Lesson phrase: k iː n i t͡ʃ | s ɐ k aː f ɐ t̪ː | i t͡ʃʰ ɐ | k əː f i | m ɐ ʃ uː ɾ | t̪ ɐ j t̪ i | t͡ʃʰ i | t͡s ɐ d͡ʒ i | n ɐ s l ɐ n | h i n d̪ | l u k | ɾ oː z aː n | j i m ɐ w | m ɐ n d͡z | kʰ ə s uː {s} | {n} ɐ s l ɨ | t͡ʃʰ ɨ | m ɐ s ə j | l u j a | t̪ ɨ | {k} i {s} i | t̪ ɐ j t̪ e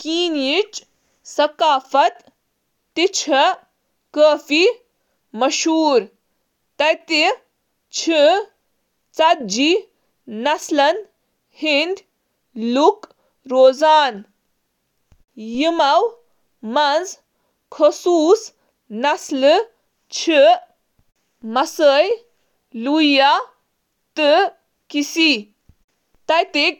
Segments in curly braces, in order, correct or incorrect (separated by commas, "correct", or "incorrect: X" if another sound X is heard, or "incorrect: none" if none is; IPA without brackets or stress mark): correct, correct, correct, correct